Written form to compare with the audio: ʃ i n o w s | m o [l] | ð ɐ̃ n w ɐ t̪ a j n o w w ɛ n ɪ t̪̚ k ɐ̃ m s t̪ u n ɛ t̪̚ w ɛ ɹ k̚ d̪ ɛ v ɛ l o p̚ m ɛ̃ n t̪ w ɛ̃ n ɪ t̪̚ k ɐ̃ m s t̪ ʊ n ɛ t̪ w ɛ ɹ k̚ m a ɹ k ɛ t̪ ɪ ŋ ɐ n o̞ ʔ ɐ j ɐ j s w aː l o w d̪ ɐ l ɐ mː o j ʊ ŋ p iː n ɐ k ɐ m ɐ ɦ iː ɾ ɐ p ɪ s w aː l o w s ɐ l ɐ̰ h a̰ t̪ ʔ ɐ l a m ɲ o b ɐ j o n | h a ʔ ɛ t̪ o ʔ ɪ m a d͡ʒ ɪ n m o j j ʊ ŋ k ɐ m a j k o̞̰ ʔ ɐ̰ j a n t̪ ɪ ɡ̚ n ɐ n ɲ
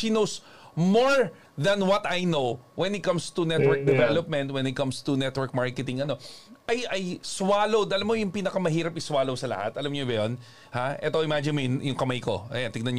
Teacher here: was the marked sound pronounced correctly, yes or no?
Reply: no